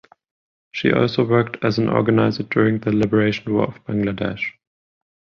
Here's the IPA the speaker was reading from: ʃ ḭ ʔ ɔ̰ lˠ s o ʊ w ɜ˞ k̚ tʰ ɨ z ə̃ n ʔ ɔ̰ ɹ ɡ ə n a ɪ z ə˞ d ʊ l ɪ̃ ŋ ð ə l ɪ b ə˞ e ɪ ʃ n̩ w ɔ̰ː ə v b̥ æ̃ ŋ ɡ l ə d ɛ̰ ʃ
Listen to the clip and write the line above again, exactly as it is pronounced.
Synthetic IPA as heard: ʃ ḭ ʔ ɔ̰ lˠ s o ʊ w ɜ˞ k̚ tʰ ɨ z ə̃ n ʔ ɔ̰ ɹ ɡ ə n a ɪ z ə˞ d ʊ ɹ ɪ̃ ŋ ð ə l ɪ b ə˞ e ɪ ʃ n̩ w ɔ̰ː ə v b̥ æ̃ ŋ ɡ l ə d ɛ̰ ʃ